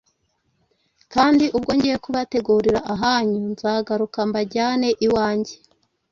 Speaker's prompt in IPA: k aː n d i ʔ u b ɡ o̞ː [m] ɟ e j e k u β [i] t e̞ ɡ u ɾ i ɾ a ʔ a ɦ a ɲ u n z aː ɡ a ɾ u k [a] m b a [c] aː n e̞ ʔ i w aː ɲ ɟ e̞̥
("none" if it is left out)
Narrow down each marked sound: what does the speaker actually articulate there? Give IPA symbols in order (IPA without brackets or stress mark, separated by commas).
ɲ, a, a, ɟ